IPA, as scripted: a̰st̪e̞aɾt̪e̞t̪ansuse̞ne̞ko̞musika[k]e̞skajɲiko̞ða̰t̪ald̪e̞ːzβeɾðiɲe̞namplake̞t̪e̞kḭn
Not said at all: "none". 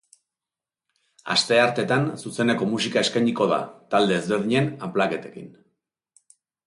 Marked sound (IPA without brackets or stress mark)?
none